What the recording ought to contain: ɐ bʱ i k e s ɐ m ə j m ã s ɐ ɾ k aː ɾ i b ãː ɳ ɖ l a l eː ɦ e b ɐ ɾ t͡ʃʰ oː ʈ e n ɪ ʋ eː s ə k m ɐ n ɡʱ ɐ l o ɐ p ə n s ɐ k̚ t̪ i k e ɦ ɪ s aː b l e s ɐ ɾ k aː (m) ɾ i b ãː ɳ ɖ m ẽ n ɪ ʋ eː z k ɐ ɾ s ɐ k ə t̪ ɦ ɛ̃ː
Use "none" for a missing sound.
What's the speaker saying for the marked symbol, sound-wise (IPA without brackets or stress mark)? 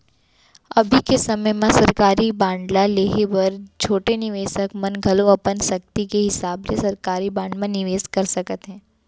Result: none